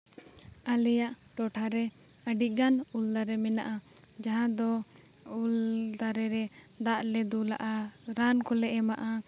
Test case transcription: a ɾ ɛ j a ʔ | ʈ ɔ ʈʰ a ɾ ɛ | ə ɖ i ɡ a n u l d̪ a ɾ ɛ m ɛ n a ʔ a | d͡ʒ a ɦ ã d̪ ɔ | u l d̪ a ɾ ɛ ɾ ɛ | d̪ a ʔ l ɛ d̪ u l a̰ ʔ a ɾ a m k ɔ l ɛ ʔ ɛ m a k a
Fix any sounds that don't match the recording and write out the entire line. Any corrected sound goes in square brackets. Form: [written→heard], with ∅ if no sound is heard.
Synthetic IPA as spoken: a [ɾ→l] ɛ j a ʔ | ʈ ɔ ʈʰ a ɾ ɛ | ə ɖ i ɡ a n u l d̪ a ɾ ɛ m ɛ n a ʔ a | d͡ʒ a ɦ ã d̪ ɔ | u l d̪ a ɾ ɛ ɾ ɛ | d̪ a ʔ l ɛ d̪ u l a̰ ʔ a ɾ a [m→n] k ɔ l ɛ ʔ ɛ m a [k→ʔ] a